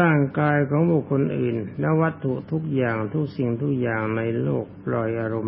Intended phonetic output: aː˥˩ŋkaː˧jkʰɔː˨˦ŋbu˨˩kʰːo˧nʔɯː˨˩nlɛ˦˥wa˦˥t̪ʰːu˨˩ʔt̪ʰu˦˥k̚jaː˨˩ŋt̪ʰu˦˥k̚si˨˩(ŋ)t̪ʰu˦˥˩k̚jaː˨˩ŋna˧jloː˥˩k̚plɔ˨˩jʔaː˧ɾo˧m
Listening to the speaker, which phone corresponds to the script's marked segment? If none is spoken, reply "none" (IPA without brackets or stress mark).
ŋ